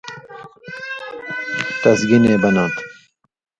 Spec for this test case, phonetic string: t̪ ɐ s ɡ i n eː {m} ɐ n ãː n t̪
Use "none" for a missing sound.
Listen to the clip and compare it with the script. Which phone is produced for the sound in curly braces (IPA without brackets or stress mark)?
b